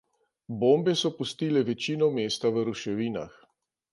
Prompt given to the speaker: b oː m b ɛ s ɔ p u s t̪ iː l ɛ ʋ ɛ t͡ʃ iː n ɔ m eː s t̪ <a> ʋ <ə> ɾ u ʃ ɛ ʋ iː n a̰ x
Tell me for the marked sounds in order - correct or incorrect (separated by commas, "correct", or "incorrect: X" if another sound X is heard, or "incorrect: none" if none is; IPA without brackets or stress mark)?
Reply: correct, correct